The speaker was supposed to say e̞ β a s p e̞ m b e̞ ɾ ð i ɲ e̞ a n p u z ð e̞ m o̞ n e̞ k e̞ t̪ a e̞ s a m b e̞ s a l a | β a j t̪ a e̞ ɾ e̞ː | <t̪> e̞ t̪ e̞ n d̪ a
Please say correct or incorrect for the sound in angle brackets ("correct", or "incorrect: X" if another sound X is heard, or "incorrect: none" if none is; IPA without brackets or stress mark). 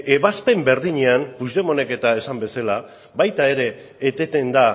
correct